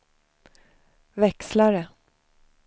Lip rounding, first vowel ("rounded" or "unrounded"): unrounded